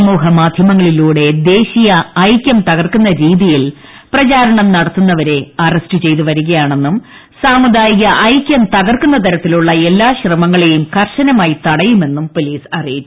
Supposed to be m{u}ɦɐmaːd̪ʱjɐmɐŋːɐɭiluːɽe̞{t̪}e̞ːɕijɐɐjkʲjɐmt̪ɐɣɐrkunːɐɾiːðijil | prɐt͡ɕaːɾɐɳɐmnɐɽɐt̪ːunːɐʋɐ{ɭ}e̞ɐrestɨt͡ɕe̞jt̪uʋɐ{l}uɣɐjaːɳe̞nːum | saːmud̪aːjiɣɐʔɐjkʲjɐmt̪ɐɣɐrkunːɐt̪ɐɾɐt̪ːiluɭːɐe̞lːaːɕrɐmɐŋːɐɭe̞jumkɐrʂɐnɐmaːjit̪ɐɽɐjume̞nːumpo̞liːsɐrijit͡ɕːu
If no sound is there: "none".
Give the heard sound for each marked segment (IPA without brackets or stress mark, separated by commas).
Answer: uː, d̪, ɾ, ɾ